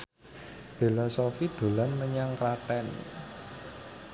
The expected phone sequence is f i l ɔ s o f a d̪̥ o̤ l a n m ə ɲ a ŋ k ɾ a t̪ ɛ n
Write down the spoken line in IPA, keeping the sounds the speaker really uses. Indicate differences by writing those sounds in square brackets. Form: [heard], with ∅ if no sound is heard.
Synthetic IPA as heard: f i l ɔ s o f [i] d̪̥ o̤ l a n m ə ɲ a ŋ k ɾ a t̪ ɛ n